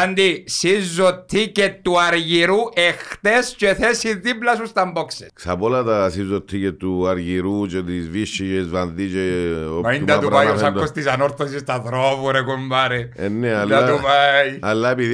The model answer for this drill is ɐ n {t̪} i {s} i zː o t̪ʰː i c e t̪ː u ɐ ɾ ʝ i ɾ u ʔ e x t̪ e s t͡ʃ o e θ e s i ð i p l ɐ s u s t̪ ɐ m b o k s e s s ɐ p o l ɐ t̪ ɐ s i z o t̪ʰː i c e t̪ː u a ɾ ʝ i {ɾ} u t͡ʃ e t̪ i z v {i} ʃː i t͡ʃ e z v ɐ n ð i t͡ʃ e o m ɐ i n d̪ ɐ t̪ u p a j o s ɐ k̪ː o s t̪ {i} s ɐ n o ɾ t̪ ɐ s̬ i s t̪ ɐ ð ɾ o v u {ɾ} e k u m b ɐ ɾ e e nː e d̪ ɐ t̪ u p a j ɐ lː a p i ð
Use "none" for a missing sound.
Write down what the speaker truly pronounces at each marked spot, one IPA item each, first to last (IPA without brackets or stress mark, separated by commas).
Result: d̪, s, ɾ, i, i, ɾ